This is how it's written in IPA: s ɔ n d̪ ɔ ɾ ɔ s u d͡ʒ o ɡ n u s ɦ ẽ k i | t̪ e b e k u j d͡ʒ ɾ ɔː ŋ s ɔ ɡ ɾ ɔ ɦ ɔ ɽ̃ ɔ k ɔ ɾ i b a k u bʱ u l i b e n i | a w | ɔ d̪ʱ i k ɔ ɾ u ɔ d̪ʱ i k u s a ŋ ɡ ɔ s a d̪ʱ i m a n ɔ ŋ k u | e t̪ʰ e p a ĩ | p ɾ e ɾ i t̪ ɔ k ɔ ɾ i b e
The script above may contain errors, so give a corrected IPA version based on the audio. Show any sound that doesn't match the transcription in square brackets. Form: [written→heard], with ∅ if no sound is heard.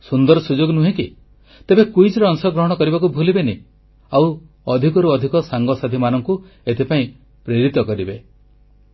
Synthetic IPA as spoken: s [ɔ→u] n d̪ ɔ ɾ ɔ s u d͡ʒ o ɡ n u [s→∅] ɦ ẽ k i | t̪ e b e k u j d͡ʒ ɾ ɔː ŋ s ɔ ɡ ɾ ɔ ɦ ɔ ɽ̃ ɔ k ɔ ɾ i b a k u bʱ u l i b e n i | a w | ɔ d̪ʱ i k ɔ ɾ u ɔ d̪ʱ i k [u→ɔ] s a ŋ ɡ ɔ s a d̪ʱ i m a n ɔ ŋ k u | e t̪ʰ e p a ĩ | p ɾ e ɾ i t̪ ɔ k ɔ ɾ i b e